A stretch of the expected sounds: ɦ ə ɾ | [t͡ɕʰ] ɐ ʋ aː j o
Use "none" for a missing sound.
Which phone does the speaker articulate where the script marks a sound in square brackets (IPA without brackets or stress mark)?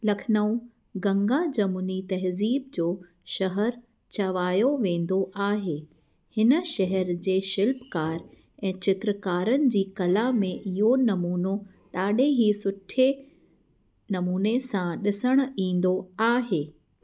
t͡ɕ